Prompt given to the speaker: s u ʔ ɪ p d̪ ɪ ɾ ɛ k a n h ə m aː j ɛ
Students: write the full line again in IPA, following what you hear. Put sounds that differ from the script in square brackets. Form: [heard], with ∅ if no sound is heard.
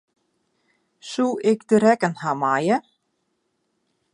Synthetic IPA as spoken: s u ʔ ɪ [k] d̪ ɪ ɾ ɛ k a n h [a] m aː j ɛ